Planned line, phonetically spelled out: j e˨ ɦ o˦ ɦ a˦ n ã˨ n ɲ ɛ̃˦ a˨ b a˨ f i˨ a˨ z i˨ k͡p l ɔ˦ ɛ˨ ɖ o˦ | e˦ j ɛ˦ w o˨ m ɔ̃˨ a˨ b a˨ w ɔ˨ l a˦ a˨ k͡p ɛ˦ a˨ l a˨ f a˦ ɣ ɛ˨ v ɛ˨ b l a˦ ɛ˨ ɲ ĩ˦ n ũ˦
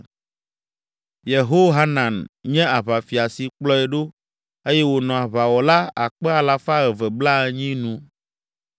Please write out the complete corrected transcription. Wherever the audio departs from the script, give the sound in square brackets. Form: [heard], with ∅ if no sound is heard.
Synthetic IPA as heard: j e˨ ɦ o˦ ɦ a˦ n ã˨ n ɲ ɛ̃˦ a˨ [β] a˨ f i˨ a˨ [s] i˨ k͡p l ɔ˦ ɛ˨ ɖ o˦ | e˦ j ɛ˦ w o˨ [n] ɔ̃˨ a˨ [β] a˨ w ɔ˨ l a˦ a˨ k͡p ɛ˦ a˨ l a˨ f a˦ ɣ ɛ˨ v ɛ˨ b l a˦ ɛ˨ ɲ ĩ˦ n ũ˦

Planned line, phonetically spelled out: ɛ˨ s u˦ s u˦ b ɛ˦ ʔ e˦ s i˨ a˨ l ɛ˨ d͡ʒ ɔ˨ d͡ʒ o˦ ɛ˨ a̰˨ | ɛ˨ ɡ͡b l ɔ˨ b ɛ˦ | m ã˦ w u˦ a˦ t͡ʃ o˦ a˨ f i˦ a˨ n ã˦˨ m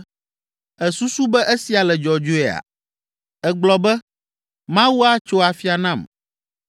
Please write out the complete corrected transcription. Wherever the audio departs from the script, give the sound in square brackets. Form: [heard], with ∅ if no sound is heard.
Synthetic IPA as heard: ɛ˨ s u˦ s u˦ b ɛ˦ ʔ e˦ s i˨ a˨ l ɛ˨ d͡ʒ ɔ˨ d͡ʒ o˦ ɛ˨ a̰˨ | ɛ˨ ɡ͡b l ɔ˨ b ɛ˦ | m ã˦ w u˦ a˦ t͡ʃ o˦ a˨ f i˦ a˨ n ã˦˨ m

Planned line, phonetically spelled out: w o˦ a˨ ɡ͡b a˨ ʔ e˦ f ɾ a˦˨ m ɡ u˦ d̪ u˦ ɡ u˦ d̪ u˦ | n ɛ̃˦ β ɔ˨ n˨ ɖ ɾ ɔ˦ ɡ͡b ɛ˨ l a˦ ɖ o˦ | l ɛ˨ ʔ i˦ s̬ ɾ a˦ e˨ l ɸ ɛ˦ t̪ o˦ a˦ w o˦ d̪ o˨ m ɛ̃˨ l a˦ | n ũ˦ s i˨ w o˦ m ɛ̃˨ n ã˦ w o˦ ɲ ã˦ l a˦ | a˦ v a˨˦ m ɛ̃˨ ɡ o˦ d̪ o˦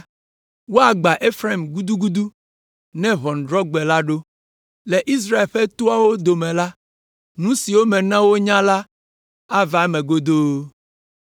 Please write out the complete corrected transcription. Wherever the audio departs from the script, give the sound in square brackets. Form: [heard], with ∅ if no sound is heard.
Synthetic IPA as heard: w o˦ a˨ ɡ͡b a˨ ʔ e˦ f ɾ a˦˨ m ɡ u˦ d̪ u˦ ɡ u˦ d̪ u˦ | n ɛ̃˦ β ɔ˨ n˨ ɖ ɾ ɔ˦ ɡ͡b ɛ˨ l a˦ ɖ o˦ | l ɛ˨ ʔ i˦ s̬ ɾ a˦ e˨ l ɸ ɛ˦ t̪ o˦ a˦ w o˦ d̪ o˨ m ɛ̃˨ l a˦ | n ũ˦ s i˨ w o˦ m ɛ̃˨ n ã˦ w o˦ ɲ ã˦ l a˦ | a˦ v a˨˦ m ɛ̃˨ ɡ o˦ d̪ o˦

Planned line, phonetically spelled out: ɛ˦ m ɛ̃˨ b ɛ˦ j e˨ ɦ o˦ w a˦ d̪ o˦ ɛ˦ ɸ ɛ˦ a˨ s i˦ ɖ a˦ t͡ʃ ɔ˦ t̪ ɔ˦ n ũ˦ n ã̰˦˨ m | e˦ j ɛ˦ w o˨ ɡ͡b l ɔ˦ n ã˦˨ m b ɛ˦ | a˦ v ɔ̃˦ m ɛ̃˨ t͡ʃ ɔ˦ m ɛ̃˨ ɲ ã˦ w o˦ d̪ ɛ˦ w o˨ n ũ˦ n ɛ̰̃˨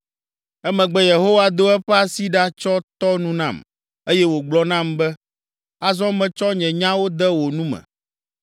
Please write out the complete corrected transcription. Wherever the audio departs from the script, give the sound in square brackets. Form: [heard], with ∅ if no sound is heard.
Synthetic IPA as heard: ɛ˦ m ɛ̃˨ [ɡ͡b] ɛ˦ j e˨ ɦ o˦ w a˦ d̪ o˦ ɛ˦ ɸ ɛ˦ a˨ s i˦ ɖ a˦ t͡ʃ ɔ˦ t̪ ɔ˦ n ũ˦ n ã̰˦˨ m | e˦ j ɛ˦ w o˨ ɡ͡b l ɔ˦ n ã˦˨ m b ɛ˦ | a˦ [z] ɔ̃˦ m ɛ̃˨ t͡ʃ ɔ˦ [ɲ] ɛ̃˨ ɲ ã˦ w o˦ d̪ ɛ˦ w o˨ n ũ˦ [m] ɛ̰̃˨

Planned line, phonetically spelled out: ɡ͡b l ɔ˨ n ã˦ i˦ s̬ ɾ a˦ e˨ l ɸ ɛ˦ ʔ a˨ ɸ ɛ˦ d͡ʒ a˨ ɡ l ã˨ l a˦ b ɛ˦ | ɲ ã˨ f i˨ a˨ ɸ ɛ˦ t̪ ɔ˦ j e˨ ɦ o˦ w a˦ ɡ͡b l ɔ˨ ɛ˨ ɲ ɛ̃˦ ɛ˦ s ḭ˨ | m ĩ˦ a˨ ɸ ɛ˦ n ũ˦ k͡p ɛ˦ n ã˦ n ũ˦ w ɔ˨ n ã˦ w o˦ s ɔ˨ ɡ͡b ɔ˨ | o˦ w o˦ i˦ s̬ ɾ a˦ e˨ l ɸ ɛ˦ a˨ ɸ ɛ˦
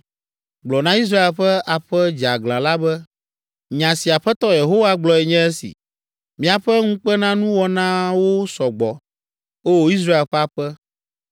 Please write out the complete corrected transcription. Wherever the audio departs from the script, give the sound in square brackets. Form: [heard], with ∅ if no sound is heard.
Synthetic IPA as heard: ɡ͡b l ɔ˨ n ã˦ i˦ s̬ ɾ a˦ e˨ l ɸ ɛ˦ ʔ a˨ ɸ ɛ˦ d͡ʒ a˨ ɡ l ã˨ l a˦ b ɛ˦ | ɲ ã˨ [s] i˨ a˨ ɸ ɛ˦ t̪ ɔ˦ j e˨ ɦ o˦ w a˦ ɡ͡b l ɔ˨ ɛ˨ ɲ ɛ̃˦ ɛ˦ s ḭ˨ | m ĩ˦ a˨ ɸ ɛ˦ [ŋ] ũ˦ k͡p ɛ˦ n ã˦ n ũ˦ w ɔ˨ n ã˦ w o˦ s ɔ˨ ɡ͡b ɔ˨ | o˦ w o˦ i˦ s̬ ɾ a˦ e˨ l ɸ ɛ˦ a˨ ɸ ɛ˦

